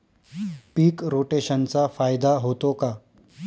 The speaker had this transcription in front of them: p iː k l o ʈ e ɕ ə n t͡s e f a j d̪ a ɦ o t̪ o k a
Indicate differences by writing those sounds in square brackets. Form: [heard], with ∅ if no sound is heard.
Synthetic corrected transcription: p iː k [ɾ] o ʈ e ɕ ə n t͡s [a] f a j d̪ a ɦ o t̪ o k a